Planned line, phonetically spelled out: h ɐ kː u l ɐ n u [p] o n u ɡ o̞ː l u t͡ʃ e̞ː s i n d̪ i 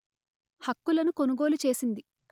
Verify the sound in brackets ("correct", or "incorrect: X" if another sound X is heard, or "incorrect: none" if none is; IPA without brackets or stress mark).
incorrect: k